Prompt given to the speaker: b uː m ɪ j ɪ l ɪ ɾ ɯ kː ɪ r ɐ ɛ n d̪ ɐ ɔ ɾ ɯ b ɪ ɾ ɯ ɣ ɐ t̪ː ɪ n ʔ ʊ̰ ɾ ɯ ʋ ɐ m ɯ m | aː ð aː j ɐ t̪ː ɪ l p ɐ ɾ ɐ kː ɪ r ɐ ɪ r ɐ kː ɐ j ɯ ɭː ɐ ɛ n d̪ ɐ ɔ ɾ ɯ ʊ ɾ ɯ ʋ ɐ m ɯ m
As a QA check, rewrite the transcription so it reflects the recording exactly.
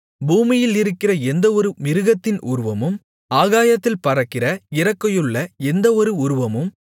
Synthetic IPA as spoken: b uː m ɪ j ɪ l ɪ ɾ ɯ kː ɪ r ɐ ɛ n d̪ ɐ ɔ ɾ ɯ m ɪ ɾ ɯ ɣ ɐ t̪ː ɪ n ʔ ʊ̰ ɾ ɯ ʋ ɐ m ɯ m | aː ɣ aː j ɐ t̪ː ɪ l p ɐ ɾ ɐ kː ɪ r ɐ ɪ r ɐ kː ɐ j ɯ ɭː ɐ ɛ n d̪ ɐ ɔ ɾ ɯ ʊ ɾ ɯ ʋ ɐ m ɯ m